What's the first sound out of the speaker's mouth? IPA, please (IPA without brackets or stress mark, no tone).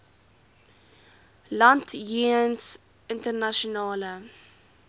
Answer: l